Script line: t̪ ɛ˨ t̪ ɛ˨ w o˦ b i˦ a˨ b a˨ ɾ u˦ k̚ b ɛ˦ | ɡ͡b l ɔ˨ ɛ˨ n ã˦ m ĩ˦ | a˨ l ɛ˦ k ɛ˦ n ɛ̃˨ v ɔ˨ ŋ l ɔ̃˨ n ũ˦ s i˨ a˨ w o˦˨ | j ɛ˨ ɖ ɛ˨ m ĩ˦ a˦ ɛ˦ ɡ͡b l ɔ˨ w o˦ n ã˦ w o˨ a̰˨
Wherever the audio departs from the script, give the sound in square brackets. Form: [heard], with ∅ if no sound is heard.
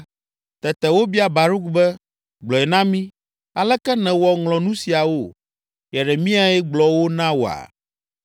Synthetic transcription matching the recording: t̪ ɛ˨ t̪ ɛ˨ w o˦ b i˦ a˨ b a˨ ɾ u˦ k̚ b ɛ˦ | ɡ͡b l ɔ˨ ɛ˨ n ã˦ m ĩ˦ | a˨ l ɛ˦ k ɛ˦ n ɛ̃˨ [w] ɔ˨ ŋ l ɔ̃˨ n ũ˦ s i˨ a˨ w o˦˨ | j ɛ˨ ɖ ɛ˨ m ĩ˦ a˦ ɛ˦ ɡ͡b l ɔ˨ w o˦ n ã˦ w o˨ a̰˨